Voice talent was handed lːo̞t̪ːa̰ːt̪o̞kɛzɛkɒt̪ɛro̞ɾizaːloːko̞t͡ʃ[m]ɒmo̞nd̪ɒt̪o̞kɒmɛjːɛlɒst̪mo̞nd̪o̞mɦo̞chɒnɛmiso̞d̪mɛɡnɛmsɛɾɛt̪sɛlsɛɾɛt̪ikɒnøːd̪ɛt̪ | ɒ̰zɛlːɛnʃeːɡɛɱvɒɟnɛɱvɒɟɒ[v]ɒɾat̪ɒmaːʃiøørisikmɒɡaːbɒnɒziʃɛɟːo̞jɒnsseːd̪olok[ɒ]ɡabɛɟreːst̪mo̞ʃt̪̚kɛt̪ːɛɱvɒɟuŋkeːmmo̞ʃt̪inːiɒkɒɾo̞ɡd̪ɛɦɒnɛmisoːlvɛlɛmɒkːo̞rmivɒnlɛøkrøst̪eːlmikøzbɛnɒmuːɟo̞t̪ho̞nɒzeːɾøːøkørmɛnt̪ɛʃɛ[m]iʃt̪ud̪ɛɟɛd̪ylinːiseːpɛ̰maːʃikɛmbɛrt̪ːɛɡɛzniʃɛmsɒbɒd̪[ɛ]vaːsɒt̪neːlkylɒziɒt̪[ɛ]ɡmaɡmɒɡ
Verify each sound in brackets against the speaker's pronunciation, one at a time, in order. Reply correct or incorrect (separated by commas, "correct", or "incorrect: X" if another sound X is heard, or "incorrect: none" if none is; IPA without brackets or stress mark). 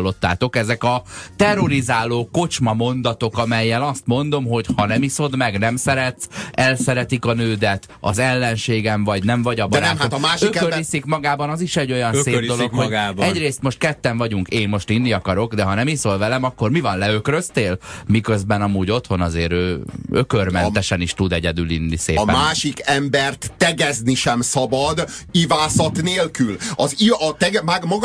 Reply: correct, incorrect: b, incorrect: o, incorrect: n, incorrect: i, correct